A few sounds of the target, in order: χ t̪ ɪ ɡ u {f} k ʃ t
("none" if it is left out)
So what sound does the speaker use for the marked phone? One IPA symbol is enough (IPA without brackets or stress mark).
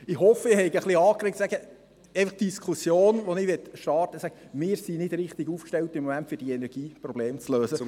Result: f